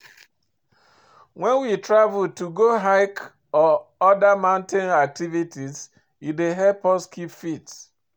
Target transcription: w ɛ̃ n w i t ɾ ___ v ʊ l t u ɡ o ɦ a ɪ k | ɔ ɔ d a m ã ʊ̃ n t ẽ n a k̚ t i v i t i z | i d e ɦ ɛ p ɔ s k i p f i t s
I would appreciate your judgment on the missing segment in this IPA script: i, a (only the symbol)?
a